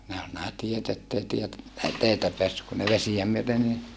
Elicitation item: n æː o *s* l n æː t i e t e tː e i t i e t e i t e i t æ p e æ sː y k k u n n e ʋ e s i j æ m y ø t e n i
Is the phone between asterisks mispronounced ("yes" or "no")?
yes